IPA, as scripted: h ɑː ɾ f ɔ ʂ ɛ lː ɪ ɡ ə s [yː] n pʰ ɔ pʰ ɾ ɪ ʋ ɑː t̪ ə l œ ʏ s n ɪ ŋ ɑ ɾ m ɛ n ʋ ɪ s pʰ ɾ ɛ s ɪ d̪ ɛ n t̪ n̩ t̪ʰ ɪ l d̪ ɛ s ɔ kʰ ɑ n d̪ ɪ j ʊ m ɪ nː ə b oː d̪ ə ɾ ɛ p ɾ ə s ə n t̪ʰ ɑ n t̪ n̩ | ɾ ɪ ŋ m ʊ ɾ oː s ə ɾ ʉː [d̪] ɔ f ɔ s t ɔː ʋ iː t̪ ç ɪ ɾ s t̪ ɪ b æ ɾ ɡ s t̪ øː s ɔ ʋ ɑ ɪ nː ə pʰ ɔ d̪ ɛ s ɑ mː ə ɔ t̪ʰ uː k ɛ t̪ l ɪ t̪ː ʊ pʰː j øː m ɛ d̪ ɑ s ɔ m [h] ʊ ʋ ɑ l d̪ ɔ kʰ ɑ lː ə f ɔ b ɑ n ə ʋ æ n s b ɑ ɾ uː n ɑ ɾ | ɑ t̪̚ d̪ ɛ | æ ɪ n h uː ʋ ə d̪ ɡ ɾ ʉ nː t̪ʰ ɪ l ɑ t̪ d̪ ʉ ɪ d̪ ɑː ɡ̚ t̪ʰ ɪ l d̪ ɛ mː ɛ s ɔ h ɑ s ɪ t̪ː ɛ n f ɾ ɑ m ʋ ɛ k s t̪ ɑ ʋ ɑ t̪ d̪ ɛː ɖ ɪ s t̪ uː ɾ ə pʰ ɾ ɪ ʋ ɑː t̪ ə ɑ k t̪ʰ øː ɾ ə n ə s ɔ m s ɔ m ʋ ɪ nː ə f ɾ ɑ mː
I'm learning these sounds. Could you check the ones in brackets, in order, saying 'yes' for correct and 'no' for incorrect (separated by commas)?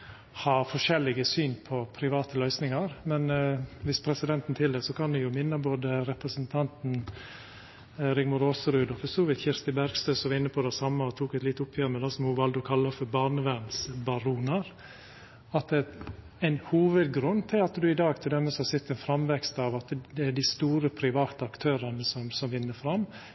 yes, yes, yes